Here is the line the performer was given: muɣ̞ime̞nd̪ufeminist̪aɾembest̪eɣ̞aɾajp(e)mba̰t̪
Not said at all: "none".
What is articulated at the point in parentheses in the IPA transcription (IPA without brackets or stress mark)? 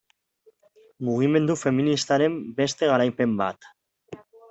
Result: e